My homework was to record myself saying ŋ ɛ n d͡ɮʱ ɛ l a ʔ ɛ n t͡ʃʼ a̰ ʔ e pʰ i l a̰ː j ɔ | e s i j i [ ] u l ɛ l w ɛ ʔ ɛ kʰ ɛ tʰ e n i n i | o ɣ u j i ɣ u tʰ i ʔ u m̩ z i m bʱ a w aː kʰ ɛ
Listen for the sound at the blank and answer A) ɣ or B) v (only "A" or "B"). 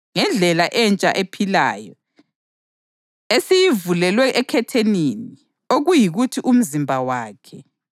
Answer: B